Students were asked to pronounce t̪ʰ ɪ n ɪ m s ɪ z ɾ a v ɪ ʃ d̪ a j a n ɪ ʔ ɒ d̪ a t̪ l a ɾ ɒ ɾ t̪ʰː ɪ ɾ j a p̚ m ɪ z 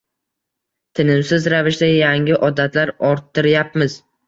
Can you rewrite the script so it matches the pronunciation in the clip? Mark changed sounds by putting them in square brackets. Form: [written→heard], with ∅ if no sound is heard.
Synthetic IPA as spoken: t̪ʰ ɪ n ɪ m s ɪ z ɾ a v ɪ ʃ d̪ a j a [n→ŋ] ɪ ʔ ɒ d̪ a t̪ l a ɾ ɒ ɾ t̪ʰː ɪ ɾ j a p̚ m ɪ z